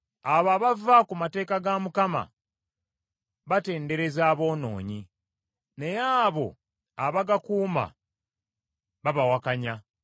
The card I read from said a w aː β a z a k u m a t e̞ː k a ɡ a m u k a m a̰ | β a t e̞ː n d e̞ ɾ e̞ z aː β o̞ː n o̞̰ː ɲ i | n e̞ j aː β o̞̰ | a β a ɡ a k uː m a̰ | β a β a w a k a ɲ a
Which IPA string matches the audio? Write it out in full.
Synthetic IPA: a β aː β a v a k u m a t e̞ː k a ɡ a m u k a m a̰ | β a t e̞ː n d e̞ ɾ e̞ z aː β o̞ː n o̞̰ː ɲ i | n e̞ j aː β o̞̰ | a β a ɡ a k uː m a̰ | β a β a w a k a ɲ a